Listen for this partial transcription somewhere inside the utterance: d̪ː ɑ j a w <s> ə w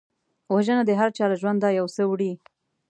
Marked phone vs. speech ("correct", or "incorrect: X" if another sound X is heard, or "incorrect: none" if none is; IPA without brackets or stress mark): correct